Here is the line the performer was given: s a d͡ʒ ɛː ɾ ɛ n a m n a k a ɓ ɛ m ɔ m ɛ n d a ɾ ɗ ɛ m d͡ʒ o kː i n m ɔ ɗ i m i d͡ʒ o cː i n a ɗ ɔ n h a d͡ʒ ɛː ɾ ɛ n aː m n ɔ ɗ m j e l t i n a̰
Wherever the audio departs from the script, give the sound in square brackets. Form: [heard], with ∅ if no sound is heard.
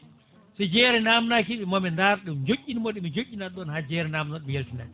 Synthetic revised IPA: s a d͡ʒ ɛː ɾ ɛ n a m n a k [i] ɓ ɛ m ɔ m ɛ n d a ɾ ɗ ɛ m d͡ʒ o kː i n m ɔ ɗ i m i d͡ʒ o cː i n a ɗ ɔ n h a d͡ʒ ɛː ɾ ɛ n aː m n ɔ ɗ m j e l t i n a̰